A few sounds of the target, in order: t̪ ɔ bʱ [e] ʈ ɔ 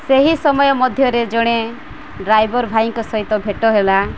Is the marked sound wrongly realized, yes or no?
no